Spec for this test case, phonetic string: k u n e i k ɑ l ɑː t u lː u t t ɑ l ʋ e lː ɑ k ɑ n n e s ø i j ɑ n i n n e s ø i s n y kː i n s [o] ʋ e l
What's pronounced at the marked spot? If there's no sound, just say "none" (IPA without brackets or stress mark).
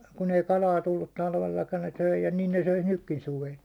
u